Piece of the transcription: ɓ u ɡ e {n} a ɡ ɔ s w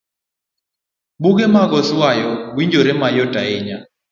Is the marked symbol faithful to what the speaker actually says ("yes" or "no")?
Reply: no